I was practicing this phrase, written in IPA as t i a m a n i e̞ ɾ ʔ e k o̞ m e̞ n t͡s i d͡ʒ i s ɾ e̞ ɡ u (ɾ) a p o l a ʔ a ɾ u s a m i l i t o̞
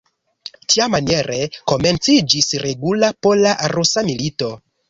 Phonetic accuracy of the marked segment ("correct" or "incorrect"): incorrect